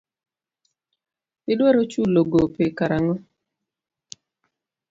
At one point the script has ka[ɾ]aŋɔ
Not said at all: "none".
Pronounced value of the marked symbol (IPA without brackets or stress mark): ɾ